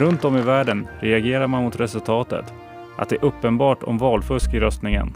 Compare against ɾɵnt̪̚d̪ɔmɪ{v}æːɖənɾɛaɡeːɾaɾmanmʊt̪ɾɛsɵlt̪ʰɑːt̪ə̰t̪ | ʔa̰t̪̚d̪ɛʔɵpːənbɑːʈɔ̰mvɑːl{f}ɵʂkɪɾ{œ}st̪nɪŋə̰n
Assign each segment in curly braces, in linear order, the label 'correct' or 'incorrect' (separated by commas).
correct, correct, correct